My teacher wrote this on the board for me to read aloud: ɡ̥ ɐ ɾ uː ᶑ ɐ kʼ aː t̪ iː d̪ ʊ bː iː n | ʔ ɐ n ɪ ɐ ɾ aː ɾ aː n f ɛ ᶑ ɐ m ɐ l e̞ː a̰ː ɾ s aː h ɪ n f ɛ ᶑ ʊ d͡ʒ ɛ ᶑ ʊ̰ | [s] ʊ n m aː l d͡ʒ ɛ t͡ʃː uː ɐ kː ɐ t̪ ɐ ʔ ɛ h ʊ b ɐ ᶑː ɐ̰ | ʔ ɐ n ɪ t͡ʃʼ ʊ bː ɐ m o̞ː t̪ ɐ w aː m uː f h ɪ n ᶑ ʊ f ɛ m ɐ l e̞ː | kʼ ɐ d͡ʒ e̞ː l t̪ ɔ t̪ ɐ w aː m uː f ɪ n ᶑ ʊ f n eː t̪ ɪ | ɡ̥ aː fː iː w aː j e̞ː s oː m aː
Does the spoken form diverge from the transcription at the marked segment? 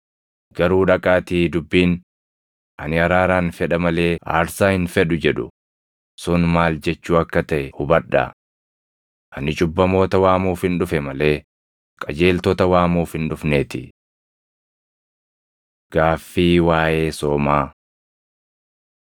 no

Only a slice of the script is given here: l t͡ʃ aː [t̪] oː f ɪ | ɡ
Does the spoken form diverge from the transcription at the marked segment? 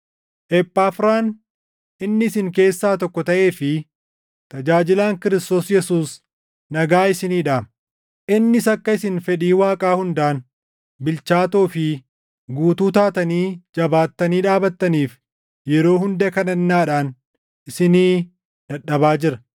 no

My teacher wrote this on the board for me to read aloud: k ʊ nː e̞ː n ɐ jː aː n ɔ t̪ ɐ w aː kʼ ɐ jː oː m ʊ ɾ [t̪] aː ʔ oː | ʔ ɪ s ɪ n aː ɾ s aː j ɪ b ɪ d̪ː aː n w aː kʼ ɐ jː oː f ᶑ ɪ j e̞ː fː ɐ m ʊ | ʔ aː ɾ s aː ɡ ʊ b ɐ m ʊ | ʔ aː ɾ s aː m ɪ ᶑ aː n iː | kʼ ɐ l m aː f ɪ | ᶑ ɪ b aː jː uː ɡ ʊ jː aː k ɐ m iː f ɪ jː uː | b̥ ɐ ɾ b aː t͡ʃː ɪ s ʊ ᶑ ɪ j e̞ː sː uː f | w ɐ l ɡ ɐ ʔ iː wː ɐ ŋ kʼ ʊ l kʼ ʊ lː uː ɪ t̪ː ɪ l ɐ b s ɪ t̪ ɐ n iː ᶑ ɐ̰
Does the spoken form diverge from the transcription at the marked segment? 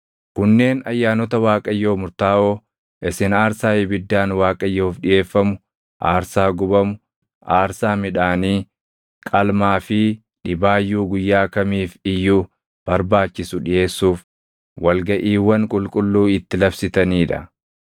no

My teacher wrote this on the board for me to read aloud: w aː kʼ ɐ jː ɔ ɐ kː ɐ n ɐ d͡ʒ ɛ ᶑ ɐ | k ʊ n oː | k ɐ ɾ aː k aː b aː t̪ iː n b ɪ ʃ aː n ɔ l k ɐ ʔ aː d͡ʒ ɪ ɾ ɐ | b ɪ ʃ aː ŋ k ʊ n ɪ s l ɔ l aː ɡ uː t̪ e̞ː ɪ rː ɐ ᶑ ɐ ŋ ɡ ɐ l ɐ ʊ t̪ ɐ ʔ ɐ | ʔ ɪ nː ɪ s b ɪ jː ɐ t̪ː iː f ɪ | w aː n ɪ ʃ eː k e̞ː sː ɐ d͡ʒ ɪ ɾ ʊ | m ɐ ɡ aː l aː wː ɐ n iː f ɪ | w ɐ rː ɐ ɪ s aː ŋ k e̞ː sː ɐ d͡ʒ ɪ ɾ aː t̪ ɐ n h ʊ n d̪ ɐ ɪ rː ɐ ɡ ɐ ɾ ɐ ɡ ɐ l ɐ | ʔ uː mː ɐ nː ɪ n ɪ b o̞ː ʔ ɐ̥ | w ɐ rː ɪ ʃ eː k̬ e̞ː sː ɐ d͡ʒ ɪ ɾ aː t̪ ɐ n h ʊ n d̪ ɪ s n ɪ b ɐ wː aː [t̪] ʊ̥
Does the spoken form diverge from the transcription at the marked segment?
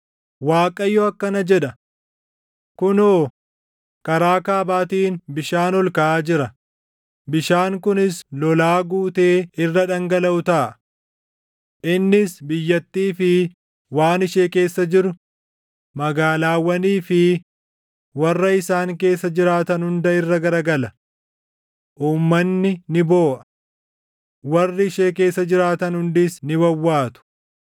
no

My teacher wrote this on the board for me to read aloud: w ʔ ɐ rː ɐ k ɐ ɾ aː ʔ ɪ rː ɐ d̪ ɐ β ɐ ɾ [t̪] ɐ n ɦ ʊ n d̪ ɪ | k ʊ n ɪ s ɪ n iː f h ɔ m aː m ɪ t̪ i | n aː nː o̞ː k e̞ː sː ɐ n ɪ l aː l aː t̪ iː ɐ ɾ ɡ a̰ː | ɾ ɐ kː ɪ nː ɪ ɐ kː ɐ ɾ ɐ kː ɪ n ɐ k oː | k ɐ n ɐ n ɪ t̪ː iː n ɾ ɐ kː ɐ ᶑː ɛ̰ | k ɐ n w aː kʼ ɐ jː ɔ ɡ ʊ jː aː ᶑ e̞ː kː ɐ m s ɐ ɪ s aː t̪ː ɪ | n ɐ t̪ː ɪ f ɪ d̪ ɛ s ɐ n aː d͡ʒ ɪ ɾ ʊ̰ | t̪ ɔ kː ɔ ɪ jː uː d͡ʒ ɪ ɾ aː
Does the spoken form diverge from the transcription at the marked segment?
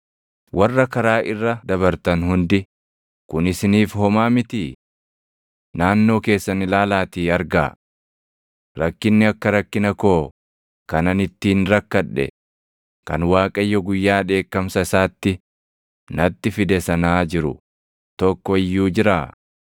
no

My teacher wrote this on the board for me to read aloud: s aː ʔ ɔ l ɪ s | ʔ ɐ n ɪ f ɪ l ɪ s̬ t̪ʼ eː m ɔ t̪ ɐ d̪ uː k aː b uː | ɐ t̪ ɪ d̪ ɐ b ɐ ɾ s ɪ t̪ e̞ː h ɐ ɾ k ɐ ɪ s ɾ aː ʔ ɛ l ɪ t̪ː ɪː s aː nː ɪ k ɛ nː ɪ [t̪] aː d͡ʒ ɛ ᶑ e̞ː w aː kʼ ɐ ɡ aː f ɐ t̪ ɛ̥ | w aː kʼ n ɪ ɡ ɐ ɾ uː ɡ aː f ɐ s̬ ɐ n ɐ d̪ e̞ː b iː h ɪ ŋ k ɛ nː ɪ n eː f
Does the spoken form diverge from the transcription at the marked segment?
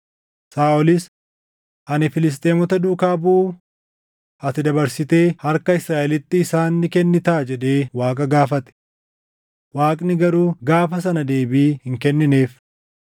no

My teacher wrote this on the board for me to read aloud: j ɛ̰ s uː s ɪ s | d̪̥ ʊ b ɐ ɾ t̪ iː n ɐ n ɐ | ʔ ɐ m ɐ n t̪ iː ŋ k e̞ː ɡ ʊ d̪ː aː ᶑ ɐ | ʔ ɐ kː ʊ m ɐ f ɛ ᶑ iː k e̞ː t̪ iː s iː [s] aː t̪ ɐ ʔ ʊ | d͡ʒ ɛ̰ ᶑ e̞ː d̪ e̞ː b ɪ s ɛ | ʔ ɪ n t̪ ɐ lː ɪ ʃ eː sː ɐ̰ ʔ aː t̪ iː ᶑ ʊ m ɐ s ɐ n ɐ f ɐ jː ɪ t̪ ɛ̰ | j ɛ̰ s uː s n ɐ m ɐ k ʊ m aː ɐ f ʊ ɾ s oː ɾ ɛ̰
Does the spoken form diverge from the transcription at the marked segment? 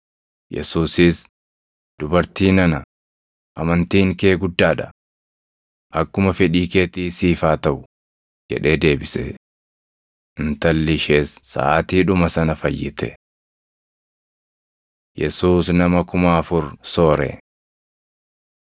yes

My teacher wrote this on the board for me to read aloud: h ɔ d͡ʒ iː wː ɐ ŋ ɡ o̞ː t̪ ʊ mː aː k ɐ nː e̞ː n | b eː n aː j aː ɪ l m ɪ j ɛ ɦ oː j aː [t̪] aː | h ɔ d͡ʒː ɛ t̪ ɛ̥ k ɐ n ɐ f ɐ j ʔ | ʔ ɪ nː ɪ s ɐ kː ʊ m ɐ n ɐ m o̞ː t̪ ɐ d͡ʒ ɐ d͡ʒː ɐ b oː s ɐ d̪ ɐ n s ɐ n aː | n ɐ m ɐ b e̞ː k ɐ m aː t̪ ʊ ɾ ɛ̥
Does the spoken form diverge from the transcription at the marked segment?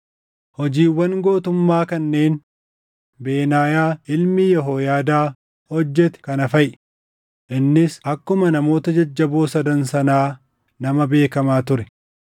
yes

